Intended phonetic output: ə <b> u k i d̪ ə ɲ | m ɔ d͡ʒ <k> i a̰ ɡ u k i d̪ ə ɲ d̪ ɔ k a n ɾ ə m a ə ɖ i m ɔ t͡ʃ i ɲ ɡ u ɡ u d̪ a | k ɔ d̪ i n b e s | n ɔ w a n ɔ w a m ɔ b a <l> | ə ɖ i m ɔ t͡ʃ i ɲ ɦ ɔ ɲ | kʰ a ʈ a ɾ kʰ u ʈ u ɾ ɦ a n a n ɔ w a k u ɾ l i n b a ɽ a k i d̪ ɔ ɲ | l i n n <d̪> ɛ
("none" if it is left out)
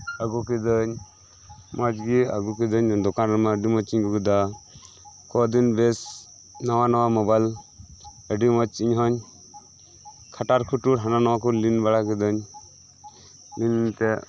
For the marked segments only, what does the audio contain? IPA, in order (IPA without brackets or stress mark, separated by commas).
ɡ, ɡ, l, t̪